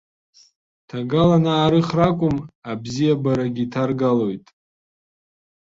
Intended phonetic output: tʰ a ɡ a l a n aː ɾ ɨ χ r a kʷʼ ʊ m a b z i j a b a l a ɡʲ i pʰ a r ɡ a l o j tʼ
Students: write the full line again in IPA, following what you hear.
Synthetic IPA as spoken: tʰ a ɡ a l a n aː ɾ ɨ χ r a kʷʼ ʊ m a b z i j a b a ɾ a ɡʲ i tʰ a r ɡ a l o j tʼ